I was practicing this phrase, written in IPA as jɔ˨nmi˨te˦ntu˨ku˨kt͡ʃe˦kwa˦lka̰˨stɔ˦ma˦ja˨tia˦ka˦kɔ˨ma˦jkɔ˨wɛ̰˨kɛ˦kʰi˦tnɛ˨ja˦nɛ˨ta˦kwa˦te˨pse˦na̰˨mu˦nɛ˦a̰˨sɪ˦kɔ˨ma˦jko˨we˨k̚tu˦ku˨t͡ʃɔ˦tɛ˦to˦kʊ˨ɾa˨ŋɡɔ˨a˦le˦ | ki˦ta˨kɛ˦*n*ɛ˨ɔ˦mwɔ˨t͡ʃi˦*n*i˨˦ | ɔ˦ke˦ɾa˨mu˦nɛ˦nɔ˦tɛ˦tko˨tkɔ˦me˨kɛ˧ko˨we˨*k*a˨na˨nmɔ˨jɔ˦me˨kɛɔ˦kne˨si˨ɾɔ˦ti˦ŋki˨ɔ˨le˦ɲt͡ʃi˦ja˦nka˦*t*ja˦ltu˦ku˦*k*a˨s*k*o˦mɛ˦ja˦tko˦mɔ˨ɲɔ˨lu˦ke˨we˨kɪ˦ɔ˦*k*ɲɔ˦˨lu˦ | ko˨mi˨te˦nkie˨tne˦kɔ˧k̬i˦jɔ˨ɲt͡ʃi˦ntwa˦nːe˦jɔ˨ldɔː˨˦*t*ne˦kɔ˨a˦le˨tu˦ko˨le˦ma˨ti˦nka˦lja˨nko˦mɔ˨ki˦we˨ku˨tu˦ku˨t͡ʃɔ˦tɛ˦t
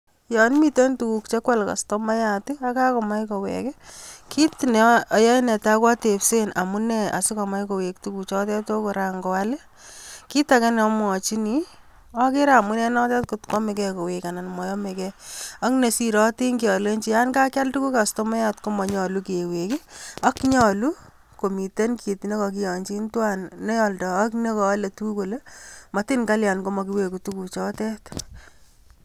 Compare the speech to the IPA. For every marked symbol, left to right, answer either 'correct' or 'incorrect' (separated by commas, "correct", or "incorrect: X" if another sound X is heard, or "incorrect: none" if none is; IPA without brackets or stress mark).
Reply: correct, correct, correct, incorrect: k, correct, incorrect: t, correct, incorrect: k